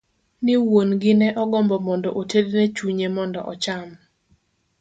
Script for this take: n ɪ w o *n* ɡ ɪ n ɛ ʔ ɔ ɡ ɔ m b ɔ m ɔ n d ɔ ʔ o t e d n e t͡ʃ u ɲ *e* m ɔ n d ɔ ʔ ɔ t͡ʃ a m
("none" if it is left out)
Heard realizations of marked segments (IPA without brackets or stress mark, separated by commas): n, e